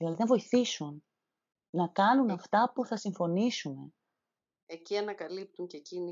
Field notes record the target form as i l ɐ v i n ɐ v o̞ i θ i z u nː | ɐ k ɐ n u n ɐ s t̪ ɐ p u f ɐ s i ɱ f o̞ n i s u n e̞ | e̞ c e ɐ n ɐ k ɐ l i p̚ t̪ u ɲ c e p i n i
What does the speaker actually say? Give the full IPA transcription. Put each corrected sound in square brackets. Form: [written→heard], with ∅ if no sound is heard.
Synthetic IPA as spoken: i l ɐ [v→ð] i n ɐ v o̞ i θ i [z→s] u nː | ɐ k ɐ n u n ɐ [s→f] t̪ ɐ p u [f→θ] ɐ s i ɱ f o̞ n i s u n e̞ | e̞ c [e→i] ɐ n ɐ k ɐ l i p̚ t̪ u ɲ c e [p→c] i n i